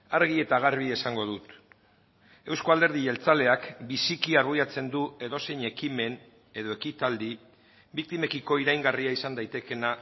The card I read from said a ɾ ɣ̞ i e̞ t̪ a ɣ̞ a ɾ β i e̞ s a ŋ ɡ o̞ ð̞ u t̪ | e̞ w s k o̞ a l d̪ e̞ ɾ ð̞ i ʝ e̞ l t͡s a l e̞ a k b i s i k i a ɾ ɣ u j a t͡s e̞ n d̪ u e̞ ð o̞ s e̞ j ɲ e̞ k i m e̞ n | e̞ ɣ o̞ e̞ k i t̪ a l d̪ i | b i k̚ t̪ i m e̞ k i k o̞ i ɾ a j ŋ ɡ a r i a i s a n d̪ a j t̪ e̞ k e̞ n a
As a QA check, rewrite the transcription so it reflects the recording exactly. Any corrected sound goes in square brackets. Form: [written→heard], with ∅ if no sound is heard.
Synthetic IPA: a ɾ ɣ̞ i e̞ t̪ a ɣ̞ a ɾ β i e̞ s a ŋ ɡ o̞ ð̞ u t̪ | e̞ w s k o̞ a l d̪ e̞ ɾ ð̞ i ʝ e̞ l t͡s a l e̞ a k b i s i k i a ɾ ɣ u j a t͡s e̞ n d̪ u e̞ ð o̞ s e̞ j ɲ e̞ k i m e̞ n | e̞ [ɣ→ð] o̞ e̞ k i t̪ a l d̪ i | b i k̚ t̪ i m e̞ k i k o̞ i ɾ a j ŋ ɡ a r i a i s a n d̪ a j t̪ e̞ k e̞ n a